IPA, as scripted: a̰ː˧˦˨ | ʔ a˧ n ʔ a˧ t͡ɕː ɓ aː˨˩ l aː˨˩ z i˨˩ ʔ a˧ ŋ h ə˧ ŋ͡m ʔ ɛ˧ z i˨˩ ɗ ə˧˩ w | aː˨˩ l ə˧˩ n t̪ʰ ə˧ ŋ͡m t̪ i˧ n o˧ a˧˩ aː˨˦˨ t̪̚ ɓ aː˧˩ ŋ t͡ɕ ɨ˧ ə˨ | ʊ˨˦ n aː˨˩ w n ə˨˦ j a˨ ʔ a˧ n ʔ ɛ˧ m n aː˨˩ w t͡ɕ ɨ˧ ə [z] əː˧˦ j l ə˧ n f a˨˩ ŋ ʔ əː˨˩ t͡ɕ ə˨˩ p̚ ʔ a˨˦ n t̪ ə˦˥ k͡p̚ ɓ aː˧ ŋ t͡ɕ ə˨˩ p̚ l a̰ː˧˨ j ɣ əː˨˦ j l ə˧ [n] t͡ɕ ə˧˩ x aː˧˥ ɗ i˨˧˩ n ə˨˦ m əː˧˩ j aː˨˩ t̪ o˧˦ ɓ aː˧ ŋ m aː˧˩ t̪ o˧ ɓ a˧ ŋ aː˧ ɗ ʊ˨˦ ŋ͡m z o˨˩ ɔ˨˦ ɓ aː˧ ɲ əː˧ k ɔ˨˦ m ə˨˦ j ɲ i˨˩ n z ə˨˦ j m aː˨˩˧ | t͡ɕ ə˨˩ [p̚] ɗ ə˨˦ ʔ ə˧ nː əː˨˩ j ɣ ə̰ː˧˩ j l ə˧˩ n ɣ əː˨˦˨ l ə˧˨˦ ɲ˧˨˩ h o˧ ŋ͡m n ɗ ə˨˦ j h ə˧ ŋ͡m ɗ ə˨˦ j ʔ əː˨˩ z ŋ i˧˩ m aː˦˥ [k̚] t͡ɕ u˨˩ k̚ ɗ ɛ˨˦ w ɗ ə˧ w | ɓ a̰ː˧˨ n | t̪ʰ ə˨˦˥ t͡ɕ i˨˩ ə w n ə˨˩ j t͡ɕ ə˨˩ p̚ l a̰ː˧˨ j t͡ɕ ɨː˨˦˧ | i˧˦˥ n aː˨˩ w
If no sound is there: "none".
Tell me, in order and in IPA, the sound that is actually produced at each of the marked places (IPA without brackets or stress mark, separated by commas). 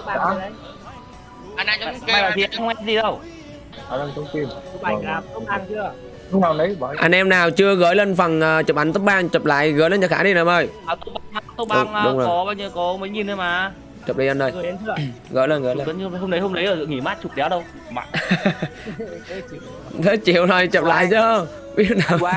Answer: ɣ, n, p̚, t̚